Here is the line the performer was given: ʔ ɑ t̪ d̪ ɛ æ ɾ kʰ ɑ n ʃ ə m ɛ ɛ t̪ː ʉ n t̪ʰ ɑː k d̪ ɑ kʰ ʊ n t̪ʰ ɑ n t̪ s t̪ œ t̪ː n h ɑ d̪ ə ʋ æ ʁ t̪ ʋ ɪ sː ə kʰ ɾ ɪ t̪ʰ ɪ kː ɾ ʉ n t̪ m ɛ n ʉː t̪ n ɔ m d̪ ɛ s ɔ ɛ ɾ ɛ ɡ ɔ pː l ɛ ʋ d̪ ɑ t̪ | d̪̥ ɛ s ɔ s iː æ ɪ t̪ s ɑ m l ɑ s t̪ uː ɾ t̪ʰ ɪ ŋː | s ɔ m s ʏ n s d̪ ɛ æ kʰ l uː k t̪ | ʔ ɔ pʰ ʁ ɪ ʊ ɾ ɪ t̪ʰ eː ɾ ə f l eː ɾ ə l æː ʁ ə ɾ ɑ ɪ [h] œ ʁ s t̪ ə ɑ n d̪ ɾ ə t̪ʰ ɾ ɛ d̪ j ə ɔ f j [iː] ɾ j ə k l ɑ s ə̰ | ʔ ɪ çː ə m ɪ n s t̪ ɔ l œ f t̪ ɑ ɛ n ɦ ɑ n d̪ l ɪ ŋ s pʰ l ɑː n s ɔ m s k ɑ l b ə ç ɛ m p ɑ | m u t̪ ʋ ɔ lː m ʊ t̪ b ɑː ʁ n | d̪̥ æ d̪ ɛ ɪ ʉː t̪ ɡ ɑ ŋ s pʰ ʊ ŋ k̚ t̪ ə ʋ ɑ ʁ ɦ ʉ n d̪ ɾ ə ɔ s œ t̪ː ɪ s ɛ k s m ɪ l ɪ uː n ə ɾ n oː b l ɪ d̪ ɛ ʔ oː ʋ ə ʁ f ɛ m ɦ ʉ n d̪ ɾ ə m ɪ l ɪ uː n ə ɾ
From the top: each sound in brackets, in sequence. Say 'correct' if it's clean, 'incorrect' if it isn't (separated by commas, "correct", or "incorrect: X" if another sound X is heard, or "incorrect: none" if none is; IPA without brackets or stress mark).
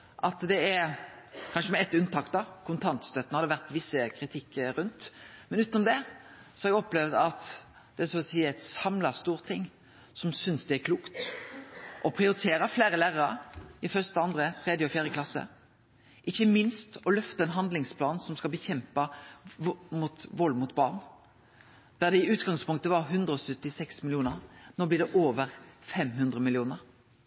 incorrect: f, incorrect: æː